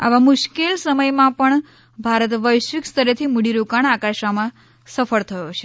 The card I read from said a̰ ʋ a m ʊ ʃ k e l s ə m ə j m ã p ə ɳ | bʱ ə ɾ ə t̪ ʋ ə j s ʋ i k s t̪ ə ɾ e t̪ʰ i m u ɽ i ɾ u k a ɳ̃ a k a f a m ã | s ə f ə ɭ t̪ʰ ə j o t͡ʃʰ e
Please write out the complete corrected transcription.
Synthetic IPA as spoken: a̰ ʋ a m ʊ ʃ k e l s ə m ə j m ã p ə ɳ | bʱ a ɾ ə t̪ ʋ ə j ʃ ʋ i k s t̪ ə ɾ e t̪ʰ i m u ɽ i ɾ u k a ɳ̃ a k a ʃ a m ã | s ə f ə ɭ t̪ʰ ə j o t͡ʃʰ e